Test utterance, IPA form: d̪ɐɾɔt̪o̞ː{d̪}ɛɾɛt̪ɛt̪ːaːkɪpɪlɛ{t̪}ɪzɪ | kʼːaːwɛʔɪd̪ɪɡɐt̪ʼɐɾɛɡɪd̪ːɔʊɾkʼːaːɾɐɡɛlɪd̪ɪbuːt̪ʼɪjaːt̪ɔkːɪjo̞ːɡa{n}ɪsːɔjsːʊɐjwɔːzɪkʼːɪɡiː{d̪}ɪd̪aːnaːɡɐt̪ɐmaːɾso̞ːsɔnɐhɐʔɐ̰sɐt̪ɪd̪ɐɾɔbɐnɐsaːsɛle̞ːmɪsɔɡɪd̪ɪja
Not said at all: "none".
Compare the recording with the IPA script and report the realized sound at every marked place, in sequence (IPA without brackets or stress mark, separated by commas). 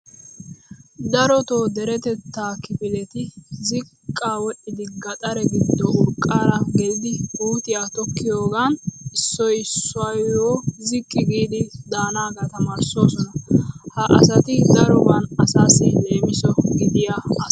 d̪, t̪, n, d̪